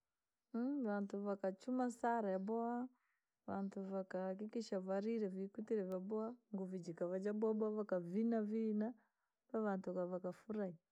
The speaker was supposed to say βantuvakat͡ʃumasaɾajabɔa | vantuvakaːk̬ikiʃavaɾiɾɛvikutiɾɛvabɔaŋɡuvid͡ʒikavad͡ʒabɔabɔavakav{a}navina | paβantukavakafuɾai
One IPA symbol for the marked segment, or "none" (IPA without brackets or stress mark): i